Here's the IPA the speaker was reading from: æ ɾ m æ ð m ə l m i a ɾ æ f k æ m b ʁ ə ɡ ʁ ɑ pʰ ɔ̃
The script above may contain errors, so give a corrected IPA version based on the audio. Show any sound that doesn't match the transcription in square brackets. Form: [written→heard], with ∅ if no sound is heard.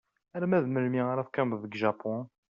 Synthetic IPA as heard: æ ɾ m æ ð m ə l m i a ɾ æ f k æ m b [ʁ→ð] ə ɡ [ʁ→ʒ] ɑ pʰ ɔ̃